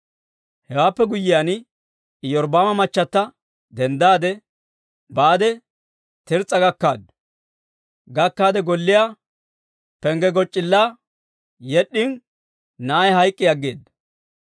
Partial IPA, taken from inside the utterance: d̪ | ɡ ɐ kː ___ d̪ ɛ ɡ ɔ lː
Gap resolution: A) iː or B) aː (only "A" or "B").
B